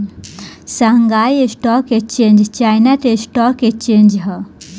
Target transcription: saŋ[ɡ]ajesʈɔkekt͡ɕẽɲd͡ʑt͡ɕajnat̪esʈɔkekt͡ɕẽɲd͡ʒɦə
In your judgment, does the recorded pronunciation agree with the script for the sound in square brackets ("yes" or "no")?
yes